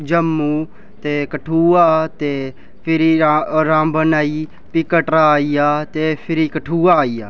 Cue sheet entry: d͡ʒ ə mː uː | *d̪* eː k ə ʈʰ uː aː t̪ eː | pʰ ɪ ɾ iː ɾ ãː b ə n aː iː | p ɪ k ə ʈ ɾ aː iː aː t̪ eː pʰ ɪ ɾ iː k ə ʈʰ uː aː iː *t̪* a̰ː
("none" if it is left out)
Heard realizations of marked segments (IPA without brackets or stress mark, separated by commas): t̪, none